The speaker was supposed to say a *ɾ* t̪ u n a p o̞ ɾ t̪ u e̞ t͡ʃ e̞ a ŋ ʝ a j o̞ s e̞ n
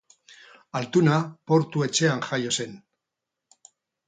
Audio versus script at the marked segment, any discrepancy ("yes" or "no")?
yes